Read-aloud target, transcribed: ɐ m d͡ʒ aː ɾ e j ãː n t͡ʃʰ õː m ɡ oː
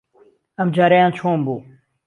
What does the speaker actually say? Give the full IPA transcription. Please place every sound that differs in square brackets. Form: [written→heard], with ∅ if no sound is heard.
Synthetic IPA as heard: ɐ m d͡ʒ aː ɾ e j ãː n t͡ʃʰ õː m [ɡ→b] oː